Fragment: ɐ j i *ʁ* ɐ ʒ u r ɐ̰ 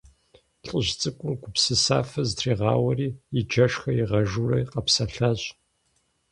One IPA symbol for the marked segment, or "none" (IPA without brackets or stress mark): ʁ